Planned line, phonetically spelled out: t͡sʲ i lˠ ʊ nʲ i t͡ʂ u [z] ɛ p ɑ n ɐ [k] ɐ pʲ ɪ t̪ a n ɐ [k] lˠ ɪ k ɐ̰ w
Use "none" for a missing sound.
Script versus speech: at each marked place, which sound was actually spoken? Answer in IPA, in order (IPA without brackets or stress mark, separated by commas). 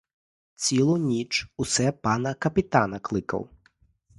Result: s, k, k